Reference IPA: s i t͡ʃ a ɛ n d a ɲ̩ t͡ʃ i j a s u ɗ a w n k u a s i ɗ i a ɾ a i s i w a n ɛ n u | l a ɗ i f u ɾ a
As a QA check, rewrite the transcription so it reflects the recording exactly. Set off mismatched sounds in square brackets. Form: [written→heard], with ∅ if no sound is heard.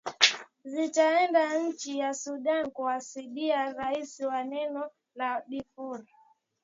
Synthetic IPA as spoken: [s→z] i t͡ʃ a ɛ n d a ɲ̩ t͡ʃ i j a s u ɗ a [w→∅] n k u a s i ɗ i a ɾ a i s i w a n ɛ n [u→ɔ] | l a ɗ i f u ɾ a

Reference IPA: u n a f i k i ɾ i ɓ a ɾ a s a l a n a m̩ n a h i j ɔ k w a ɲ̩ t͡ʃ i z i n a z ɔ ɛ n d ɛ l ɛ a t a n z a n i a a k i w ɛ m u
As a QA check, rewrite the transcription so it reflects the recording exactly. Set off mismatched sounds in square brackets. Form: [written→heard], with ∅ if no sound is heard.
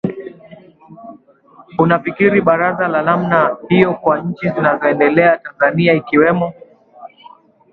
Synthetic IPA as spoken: u n a f i k i ɾ i ɓ a ɾ a [s→z] a l a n a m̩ n a h i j ɔ k w a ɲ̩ t͡ʃ i z i n a z ɔ ɛ n d ɛ l ɛ a t a n z a n i a [a→i] k i w ɛ m [u→ɔ]

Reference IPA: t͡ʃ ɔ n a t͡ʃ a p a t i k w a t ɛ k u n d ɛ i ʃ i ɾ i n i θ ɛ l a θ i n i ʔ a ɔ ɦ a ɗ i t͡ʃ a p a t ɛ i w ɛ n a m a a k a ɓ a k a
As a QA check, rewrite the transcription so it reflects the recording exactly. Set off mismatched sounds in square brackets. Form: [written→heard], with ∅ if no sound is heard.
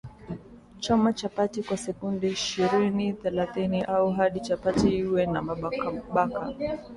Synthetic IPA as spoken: t͡ʃ ɔ [n→m] a t͡ʃ a p a t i k w a [t→s] ɛ k u n d ɛ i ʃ i ɾ i n i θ ɛ l a θ i n i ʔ a [ɔ→u] ɦ a ɗ i t͡ʃ a p a t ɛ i w ɛ n a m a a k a ɓ a k a

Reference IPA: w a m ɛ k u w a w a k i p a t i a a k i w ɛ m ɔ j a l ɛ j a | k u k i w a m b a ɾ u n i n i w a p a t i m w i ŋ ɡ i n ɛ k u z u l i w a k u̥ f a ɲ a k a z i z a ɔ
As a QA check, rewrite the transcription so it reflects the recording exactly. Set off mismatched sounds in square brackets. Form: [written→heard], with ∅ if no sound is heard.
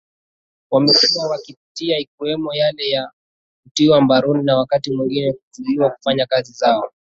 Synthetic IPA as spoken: w a m ɛ k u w a w a k i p [a→i] t i a [a→i] k i w ɛ m ɔ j a l ɛ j a | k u [k→t] i w a m b a ɾ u n i n [i→a] w a [p→k] a t i m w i ŋ ɡ i n ɛ k u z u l i w a k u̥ f a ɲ a k a z i z a ɔ

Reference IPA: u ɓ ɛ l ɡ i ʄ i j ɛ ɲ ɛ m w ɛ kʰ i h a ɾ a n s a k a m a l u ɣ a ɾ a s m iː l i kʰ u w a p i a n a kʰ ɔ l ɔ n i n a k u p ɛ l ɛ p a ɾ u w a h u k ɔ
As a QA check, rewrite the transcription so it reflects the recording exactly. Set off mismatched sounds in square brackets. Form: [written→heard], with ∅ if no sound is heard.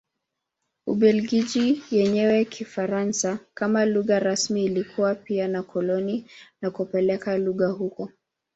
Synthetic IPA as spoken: u ɓ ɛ l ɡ i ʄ i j ɛ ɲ ɛ [m→∅] w ɛ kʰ i [h→f] a ɾ a n s a k a m a l u ɣ a ɾ a s m iː l i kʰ u w a p i a n a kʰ ɔ l ɔ n i n a k u p ɛ l ɛ [p→k] a [ɾ→l] u [w→ɣ] a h u k ɔ

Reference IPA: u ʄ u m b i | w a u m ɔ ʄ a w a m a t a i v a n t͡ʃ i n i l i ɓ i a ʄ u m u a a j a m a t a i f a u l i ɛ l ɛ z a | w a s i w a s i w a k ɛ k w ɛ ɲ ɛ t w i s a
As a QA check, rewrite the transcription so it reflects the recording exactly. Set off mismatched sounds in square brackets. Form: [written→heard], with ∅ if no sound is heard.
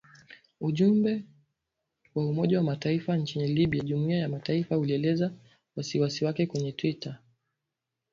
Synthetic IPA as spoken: u ʄ u m b [i→ɛ] | w a u m ɔ ʄ a w a m a t a i [v→f] a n t͡ʃ i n i l i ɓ i a ʄ u m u [a→i] a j a m a t a i f a u l i ɛ l ɛ z a | w a s i w a s i w a k ɛ k w ɛ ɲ ɛ t w i [s→t] a

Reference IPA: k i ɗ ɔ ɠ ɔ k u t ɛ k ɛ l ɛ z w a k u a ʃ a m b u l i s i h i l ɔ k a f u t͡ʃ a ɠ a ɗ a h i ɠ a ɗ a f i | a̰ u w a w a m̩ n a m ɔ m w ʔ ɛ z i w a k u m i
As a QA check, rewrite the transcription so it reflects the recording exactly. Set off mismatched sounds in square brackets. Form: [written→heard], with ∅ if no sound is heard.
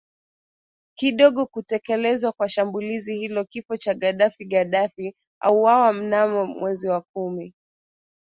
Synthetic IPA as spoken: k i ɗ ɔ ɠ ɔ k u t ɛ k ɛ l ɛ z w a k [u→w] a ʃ a m b u l i [s→z] i h i l ɔ k [a→i] f [u→ɔ] t͡ʃ a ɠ a ɗ a [h→f] i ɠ a ɗ a f i | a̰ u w a w a m̩ n a m ɔ m w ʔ ɛ z i w a k u m i

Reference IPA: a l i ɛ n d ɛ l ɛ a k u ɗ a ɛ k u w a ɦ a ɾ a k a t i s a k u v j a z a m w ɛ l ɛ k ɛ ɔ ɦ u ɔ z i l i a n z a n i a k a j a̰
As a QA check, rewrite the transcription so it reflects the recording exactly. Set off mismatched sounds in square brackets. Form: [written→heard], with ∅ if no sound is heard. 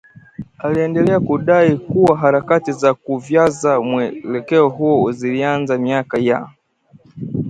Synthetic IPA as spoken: a l i ɛ n d ɛ l ɛ a k u ɗ a [ɛ→i] k u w a ɦ a ɾ a k a t i [s→z] a k u v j a z a m w ɛ l ɛ k ɛ ɔ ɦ u ɔ z i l i a n z a [n→m] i a k a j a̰

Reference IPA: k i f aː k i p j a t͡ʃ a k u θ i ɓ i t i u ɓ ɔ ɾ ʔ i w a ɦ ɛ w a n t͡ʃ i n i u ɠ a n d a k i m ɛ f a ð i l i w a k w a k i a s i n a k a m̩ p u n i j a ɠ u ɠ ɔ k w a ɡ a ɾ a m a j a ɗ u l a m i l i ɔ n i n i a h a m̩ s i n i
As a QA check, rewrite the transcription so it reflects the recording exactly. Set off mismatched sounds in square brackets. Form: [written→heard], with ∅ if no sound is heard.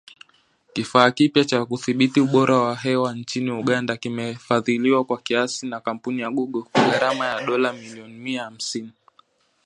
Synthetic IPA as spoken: k i f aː k i p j a t͡ʃ a k u θ i ɓ i t i u ɓ ɔ ɾ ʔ [i→a] w a ɦ ɛ w a n t͡ʃ i n i u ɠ a n d a k i m ɛ f a ð i l i w a k w a k i a s i n a k a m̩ p u n i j a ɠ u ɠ ɔ k w a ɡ a ɾ a m a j a ɗ [u→ɔ] l a m i l i ɔ n i [n→m] i a h a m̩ s i n i

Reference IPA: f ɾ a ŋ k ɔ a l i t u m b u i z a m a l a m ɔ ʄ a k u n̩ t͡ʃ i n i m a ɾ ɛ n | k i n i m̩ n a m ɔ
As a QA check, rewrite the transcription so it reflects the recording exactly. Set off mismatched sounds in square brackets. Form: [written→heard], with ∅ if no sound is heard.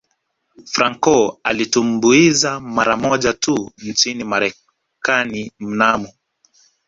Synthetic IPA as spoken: f ɾ a ŋ k ɔ a l i t u m b u i z a m a [l→ɾ] a m ɔ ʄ a [k→t] u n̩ t͡ʃ i n i m a ɾ ɛ [n→∅] | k [i→a] n i m̩ n a m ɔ

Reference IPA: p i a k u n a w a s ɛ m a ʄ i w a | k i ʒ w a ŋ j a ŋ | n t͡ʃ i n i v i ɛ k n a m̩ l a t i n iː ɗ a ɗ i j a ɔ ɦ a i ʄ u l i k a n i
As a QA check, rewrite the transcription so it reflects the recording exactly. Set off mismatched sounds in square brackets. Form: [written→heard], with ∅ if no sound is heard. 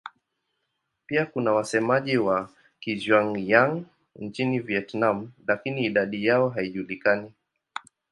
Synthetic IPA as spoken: p i a k u n a w a s ɛ m a ʄ i w a | k i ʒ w a ŋ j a ŋ | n t͡ʃ i n i v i ɛ [k→t] n a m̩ l a [t→k] i n iː ɗ a ɗ i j a ɔ ɦ a i ʄ u l i k a n i

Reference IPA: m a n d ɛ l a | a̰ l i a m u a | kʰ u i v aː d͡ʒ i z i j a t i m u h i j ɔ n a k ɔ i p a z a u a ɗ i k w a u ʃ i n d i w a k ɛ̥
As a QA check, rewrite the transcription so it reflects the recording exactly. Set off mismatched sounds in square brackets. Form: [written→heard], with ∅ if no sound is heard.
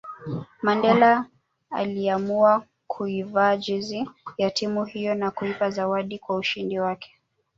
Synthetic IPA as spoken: m a n d ɛ l a | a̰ l i a m u a | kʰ u i v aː d͡ʒ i z i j a t i m u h i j ɔ n a k [ɔ→u] i p a z a [u→w] a ɗ i k w a u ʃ i n d i w a k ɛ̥

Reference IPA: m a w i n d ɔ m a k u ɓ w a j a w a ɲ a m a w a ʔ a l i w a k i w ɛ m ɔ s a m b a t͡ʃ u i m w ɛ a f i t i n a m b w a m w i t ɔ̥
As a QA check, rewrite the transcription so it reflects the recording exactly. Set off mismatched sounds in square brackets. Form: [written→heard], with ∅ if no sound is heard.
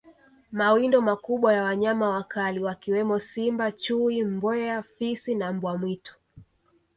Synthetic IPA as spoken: m a w i n d ɔ m a k u ɓ w a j a w a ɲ a m a w a [ʔ→k] a l i w a k i w ɛ m ɔ s [a→i] m b a t͡ʃ u i m [w→b] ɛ a f i [t→s] i n a m b w a m w i t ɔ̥

